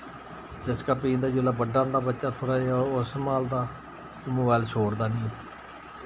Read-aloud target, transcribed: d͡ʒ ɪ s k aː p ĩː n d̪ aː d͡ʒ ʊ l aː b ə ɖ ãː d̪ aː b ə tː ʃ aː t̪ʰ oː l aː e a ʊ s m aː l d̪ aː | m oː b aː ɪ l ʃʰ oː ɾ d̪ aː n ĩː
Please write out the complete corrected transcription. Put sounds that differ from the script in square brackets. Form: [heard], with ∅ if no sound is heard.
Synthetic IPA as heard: d͡ʒ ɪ s k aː p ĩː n d̪ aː d͡ʒ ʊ l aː b ə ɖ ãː d̪ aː b ə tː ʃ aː t̪ʰ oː [ɽ] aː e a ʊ s m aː l d̪ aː | m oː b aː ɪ l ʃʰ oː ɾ d̪ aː n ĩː